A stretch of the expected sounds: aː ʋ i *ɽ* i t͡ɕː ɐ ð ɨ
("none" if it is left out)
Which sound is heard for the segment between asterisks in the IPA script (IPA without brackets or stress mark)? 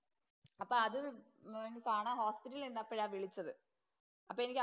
ɭ